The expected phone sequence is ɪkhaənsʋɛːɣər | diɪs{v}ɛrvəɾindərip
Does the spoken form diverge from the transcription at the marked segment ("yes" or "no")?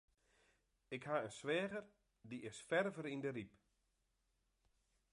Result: yes